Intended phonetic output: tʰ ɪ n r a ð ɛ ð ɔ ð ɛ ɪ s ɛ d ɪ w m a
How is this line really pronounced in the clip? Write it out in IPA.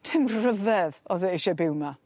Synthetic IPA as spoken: tʰ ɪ m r ə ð ɛ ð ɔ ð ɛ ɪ ʃ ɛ b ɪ w m a